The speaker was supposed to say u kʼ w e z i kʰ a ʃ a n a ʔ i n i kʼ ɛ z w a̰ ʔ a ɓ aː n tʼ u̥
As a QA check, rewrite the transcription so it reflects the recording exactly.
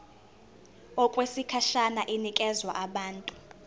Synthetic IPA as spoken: ɔ kʼ w e s i kʰ a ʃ a n a ʔ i n i kʼ ɛ z w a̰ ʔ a ɓ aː n tʼ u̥